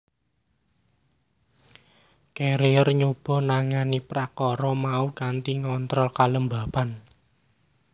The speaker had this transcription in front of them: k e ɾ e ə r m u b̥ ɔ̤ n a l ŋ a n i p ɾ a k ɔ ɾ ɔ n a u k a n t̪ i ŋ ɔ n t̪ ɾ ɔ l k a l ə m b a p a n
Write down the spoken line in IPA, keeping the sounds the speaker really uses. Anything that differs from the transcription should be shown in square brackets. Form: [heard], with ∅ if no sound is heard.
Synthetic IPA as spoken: k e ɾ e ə r [ɲ] u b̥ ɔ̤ n a [∅] ŋ a n i p ɾ a k ɔ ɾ ɔ [m] a u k a n t̪ i ŋ ɔ n t̪ ɾ ɔ l k a l ə m b a p a n